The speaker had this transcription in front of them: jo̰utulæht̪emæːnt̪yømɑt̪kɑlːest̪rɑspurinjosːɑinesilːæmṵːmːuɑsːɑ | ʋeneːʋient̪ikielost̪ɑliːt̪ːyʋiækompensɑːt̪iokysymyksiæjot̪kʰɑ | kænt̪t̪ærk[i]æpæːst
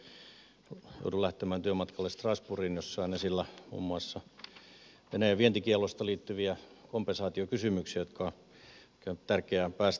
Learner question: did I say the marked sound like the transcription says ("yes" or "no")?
no